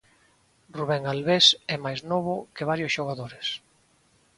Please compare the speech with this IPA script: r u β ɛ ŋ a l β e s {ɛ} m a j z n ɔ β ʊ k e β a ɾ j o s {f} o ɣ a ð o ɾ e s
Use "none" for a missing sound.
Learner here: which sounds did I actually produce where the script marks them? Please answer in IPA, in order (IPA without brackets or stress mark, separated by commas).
ɛ, ʃ